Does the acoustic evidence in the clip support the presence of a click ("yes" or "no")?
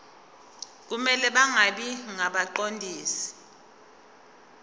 yes